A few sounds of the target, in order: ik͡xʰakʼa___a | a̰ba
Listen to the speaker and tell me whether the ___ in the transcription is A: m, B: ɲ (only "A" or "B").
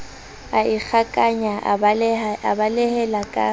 B